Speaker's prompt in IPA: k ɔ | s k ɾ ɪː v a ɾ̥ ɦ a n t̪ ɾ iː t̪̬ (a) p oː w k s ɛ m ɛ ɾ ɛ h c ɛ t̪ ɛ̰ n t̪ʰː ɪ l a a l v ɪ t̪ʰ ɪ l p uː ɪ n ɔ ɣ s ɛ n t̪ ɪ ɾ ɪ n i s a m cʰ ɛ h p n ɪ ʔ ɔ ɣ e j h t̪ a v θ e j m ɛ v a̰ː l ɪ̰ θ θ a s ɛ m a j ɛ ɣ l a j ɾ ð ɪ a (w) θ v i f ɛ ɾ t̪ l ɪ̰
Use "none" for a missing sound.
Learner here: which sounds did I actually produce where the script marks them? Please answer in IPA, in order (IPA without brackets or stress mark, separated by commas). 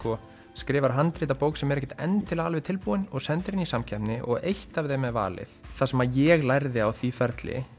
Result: a, w